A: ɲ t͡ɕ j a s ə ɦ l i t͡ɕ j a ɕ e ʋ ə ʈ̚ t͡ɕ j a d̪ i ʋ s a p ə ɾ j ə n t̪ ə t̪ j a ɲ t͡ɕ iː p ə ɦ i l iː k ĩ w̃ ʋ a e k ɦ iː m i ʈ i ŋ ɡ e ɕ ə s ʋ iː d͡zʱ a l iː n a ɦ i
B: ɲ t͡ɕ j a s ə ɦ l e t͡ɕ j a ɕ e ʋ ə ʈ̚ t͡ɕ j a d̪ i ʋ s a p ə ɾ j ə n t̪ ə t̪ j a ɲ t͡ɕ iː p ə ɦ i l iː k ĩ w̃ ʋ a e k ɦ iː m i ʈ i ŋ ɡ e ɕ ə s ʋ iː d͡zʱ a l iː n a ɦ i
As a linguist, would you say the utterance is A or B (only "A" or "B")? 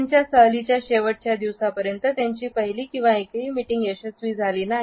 A